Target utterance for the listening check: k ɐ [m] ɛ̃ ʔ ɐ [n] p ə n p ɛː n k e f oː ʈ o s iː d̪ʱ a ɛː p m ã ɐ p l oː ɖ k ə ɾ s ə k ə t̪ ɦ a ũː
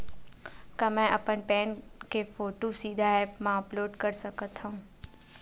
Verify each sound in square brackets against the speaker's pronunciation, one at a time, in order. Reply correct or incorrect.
correct, incorrect

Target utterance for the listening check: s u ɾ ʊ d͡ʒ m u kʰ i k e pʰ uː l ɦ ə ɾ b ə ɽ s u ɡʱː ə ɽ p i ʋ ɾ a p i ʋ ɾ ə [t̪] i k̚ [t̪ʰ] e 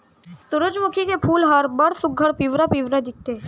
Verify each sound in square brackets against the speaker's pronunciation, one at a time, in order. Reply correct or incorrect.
incorrect, incorrect

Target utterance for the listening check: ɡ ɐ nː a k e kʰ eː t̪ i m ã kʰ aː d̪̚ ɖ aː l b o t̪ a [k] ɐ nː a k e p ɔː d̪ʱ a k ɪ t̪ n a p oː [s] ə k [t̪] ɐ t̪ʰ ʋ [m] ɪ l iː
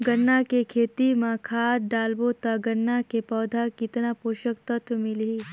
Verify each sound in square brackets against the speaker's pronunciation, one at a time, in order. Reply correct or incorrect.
incorrect, incorrect, correct, correct

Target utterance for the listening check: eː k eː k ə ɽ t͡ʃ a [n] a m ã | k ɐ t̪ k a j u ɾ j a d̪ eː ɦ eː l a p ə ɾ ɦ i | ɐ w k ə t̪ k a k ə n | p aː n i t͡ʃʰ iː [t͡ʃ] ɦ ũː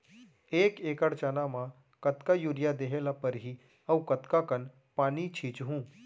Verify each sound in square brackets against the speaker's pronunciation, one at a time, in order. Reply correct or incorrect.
correct, correct

